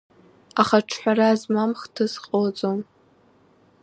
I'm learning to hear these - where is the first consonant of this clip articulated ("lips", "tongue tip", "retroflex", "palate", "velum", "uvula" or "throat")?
uvula